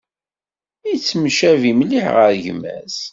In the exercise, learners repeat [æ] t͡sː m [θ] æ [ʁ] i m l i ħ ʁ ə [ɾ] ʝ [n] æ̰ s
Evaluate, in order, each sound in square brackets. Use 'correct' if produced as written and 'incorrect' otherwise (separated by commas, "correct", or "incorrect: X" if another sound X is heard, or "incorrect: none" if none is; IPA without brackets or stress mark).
incorrect: i, incorrect: ʃ, incorrect: v, correct, incorrect: m